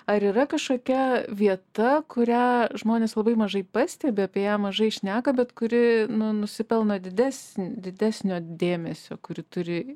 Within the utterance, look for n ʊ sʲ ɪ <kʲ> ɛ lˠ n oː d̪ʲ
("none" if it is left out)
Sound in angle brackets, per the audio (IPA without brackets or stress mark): pʲ